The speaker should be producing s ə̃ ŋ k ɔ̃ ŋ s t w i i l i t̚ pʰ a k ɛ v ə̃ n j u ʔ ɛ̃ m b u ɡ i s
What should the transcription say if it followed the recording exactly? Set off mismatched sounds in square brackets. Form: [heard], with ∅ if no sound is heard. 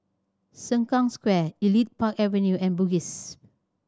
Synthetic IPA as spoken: s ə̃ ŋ k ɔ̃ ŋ s [k] w [ɛ] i l i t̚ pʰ a k ɛ v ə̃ n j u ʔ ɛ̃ [n] b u ɡ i s